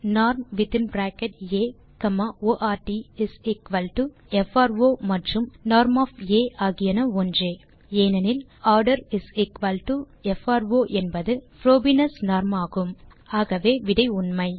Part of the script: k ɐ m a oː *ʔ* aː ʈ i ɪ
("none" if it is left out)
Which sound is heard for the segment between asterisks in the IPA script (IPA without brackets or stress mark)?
ʔ